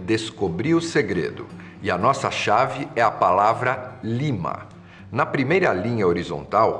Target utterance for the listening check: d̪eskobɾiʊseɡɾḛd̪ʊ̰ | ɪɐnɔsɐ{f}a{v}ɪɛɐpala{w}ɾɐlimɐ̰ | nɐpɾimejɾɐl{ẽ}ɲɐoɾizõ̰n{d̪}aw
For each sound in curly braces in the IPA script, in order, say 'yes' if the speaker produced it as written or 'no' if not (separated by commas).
no, yes, no, no, no